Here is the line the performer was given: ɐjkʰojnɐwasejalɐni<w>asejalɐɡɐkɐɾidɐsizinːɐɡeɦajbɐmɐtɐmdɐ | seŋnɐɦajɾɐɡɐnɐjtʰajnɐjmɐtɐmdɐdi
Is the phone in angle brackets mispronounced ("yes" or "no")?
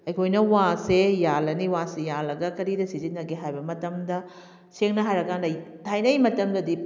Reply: no